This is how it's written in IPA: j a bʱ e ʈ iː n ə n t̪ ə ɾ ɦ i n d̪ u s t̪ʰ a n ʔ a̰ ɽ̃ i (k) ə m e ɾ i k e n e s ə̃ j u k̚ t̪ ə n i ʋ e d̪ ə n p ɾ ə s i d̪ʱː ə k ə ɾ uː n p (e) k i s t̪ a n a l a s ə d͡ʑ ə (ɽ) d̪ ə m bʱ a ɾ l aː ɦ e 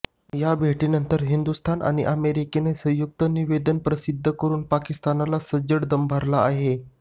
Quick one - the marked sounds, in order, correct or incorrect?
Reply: incorrect, incorrect, correct

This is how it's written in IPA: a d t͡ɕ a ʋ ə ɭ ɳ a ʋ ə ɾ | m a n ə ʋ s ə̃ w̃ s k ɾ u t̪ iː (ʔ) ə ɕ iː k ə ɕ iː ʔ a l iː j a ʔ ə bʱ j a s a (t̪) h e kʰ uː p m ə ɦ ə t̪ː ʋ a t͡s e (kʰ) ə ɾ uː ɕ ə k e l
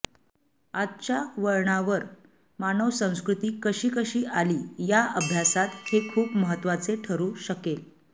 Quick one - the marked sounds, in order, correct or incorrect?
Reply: incorrect, correct, incorrect

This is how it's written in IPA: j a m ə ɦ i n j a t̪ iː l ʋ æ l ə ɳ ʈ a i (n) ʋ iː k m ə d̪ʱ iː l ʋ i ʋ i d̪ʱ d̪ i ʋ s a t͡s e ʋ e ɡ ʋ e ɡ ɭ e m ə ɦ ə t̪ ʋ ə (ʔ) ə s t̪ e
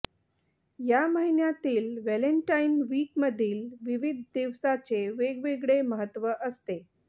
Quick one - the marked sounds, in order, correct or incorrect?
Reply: correct, correct

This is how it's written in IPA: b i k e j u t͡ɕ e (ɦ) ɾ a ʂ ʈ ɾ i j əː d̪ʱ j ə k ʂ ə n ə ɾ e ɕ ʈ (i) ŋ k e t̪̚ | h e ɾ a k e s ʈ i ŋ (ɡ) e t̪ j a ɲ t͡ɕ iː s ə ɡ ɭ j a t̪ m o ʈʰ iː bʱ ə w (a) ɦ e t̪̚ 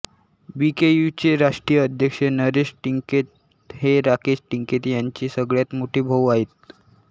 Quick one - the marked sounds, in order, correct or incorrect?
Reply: incorrect, correct, incorrect, correct

